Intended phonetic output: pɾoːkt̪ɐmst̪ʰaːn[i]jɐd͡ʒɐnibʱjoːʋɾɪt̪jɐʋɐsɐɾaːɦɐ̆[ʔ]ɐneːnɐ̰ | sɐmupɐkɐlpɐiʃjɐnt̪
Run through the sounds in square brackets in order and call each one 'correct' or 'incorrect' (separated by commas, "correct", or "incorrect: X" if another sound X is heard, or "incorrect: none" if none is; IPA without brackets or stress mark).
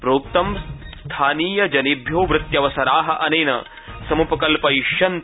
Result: incorrect: iː, correct